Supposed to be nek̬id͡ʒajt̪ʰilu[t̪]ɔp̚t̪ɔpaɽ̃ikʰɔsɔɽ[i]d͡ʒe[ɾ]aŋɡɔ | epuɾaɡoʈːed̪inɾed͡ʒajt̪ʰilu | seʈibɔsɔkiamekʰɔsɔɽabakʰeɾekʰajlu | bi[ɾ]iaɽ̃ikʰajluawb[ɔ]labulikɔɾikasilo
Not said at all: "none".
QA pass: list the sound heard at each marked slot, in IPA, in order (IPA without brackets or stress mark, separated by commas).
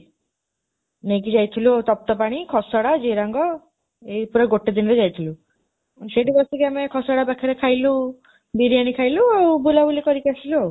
t̪, a, ɾ, ɾ, u